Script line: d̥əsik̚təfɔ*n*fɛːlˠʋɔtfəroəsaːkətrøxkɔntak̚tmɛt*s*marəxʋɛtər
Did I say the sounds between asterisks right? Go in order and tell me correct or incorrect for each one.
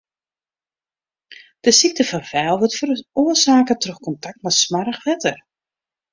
correct, correct

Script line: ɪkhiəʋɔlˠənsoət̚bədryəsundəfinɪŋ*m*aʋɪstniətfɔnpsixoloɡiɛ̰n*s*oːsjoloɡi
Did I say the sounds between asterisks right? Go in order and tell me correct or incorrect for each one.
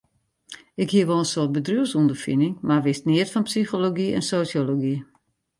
correct, correct

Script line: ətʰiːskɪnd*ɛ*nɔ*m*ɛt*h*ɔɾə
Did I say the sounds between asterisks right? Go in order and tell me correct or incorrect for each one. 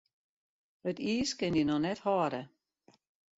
incorrect, incorrect, correct

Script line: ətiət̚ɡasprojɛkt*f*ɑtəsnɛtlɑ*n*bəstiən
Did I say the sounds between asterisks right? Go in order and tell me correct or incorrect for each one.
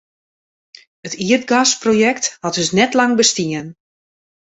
incorrect, incorrect

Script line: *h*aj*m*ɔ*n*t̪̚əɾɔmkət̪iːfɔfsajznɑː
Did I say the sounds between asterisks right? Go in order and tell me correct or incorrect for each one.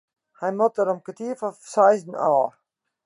correct, correct, incorrect

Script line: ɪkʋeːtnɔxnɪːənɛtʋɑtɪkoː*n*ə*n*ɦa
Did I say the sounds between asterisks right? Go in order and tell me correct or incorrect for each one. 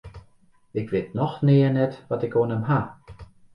correct, incorrect

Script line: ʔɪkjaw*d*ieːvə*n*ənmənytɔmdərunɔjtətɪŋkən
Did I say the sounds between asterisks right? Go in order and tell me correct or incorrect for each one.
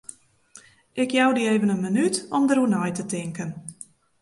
correct, correct

